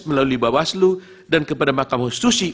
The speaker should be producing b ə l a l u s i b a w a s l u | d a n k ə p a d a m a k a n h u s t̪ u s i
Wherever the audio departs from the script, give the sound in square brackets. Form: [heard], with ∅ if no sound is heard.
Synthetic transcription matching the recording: [m] ə l a l u [∅] i b a w a s l u | d a n k ə p a d a m a k a [m] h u s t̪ u s i